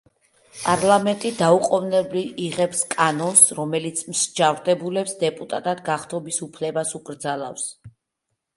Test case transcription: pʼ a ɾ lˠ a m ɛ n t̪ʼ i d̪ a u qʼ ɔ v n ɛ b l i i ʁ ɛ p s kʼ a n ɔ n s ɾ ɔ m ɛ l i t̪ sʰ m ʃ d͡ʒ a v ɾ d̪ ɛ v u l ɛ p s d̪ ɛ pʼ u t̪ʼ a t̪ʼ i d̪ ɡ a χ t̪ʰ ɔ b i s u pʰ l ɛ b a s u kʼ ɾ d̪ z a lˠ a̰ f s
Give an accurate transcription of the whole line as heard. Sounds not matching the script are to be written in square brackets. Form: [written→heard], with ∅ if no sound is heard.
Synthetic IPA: pʼ a ɾ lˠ a m ɛ n t̪ʼ i d̪ a u qʼ ɔ v n ɛ b l i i ʁ ɛ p s kʼ a n ɔ n s ɾ ɔ m ɛ l i t̪ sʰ m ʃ d͡ʒ a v ɾ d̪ ɛ [v→b] u l ɛ p s d̪ ɛ pʼ u t̪ʼ a t̪ʼ [i→a] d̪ ɡ a χ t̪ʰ ɔ b i s u pʰ l ɛ b a s u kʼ ɾ d̪ z a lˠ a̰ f s